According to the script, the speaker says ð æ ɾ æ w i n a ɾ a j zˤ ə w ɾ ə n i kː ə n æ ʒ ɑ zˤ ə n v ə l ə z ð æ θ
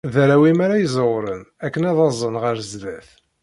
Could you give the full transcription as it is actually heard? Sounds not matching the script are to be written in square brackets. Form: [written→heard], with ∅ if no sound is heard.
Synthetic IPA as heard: ð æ ɾ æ w i [n→m] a ɾ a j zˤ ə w ɾ ə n [i→æ] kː ə n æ [ʒ→ð] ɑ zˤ ə n [v→ʁ] ə [l→ɾ] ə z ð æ θ